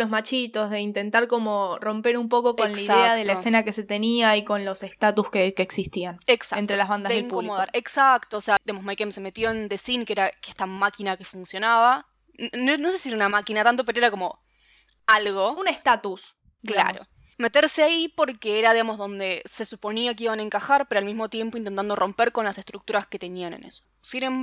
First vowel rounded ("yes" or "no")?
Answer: yes